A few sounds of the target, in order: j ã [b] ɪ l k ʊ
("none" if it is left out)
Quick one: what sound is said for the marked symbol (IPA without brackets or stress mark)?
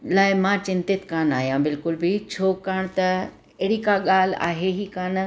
b